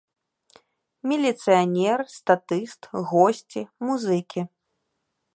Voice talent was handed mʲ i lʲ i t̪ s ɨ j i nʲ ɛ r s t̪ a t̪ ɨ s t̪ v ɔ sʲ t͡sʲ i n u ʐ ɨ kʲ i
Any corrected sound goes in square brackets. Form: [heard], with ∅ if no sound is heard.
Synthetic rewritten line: mʲ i lʲ i t̪ s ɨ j [a] nʲ ɛ r s t̪ a t̪ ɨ s t̪ [ɣ] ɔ sʲ t͡sʲ i [m] u [z] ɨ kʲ i